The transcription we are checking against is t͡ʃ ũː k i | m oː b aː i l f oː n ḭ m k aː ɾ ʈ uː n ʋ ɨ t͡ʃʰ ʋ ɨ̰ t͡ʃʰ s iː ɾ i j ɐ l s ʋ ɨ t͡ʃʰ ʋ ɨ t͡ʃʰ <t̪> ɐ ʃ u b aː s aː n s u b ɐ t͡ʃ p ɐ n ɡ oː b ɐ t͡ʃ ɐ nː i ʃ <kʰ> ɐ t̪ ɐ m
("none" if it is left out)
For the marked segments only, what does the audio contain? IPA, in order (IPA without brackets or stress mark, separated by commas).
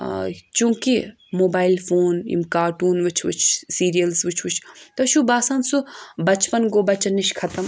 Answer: t̪, kʰ